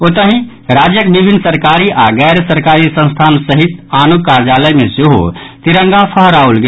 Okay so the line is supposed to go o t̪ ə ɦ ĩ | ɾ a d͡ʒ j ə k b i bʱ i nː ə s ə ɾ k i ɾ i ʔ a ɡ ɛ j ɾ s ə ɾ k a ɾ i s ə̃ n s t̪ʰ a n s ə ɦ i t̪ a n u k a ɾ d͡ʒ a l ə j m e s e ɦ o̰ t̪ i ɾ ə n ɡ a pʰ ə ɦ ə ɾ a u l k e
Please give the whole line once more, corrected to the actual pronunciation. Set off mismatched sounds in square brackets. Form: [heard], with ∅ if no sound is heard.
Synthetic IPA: o t̪ ə ɦ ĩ | ɾ a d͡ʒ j ə k b i bʱ i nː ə s ə ɾ k [a] ɾ i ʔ a ɡ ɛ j ɾ s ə ɾ k a ɾ i s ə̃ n s t̪ʰ a n s ə ɦ i t̪ a n u k a ɾ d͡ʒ a l ə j m e s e ɦ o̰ t̪ i ɾ ə [ŋ] ɡ a pʰ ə ɦ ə ɾ a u l [ɡ] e